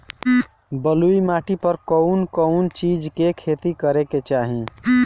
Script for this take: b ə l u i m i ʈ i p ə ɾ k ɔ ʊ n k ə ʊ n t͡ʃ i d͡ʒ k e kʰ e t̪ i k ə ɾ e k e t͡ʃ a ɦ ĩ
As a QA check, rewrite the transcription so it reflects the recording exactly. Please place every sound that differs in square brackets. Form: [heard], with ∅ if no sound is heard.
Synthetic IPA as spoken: b ə l u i m [a] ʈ i p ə ɾ k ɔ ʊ n k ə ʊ n t͡ʃ i d͡ʒ k e kʰ e t̪ i k ə ɾ e k e t͡ʃ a ɦ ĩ